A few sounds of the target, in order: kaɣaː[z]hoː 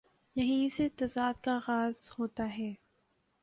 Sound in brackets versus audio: correct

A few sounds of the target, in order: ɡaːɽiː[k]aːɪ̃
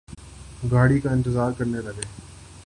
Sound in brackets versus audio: correct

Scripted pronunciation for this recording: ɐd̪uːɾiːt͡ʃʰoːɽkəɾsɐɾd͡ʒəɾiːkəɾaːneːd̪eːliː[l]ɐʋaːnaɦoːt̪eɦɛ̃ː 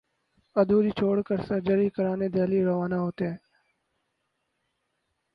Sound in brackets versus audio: incorrect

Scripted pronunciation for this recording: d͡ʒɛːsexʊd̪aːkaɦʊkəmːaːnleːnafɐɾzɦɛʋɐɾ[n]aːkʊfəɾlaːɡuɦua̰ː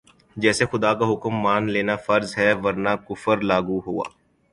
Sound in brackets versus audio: correct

